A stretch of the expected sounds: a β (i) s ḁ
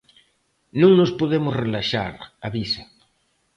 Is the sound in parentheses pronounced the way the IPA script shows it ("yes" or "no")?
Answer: yes